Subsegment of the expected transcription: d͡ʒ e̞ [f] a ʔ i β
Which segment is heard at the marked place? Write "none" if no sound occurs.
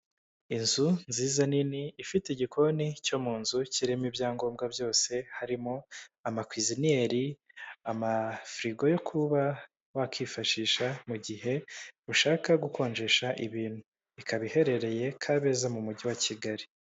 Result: ʃ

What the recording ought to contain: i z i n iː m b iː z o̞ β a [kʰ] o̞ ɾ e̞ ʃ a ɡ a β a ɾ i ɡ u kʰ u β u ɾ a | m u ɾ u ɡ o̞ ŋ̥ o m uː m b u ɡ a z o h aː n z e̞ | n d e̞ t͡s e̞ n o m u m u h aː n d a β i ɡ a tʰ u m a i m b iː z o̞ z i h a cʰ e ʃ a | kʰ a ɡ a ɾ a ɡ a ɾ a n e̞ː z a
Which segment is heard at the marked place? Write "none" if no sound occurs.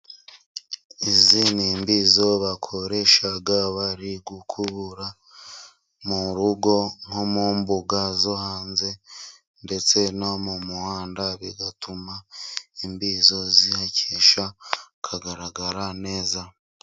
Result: kʰ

